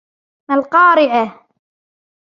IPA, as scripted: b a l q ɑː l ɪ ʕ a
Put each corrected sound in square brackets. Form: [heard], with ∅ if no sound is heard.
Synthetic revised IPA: [m] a l q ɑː [ɾ] ɪ ʕ a